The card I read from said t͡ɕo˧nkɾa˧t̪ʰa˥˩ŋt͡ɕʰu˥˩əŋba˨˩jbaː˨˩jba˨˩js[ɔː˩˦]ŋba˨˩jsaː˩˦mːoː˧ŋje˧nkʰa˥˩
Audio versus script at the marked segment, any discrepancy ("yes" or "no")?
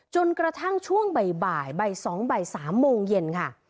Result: no